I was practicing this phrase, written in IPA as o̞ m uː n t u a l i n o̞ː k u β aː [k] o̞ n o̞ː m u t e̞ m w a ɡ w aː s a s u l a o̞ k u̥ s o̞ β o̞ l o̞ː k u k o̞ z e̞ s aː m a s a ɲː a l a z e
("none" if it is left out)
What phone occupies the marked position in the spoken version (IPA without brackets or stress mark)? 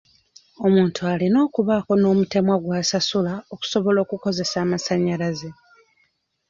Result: k